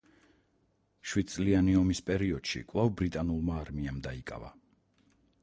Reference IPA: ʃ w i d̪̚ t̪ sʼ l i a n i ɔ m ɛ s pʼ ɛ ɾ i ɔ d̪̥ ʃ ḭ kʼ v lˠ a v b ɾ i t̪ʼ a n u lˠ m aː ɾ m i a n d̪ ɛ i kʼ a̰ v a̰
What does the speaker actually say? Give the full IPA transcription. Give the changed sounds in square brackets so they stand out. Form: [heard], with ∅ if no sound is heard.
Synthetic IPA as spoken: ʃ w i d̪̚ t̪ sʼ l i a n i ɔ m [i] s pʼ ɛ ɾ i ɔ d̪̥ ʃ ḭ kʼ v lˠ a v b ɾ i t̪ʼ a n u lˠ m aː ɾ m i a [m] d̪ [a] i kʼ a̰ v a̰